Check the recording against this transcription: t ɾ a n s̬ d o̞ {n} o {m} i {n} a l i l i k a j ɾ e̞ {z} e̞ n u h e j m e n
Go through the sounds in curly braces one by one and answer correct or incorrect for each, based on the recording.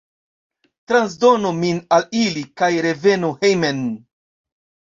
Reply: correct, correct, correct, incorrect: v

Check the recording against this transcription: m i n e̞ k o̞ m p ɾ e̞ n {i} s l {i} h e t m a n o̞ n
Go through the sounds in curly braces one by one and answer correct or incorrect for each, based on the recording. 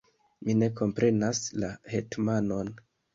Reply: incorrect: a, incorrect: a

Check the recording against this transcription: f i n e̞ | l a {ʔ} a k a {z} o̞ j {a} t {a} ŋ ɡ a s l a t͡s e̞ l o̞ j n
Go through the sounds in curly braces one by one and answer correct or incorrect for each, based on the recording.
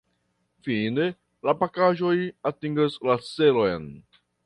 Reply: incorrect: p, incorrect: ʒ, correct, incorrect: i

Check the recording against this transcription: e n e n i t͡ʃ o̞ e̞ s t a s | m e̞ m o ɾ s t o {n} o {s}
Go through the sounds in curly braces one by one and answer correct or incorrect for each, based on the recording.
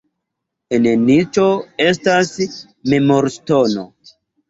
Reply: correct, incorrect: none

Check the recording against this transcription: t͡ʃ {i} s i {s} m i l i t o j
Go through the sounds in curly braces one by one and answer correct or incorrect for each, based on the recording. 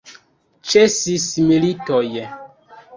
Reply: incorrect: e, correct

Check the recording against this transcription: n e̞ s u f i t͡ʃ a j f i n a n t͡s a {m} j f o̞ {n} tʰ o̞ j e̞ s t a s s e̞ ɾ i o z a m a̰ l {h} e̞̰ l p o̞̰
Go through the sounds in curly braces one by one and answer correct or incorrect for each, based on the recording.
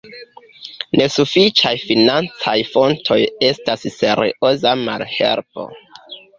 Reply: incorrect: none, correct, correct

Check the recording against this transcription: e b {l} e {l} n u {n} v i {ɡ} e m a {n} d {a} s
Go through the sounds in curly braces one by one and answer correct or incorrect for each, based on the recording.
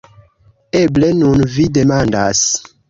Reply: correct, incorrect: none, correct, incorrect: d, correct, correct

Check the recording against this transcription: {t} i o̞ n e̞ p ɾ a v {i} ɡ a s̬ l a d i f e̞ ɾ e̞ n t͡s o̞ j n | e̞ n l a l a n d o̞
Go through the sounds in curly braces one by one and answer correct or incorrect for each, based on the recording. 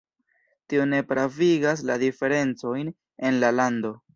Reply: correct, correct

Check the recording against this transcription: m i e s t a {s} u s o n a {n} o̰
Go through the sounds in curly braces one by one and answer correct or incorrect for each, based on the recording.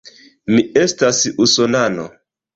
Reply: correct, correct

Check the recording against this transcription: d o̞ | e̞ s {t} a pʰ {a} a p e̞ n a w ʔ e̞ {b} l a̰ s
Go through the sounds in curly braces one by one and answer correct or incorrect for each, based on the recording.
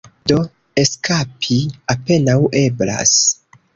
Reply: incorrect: k, incorrect: i, correct

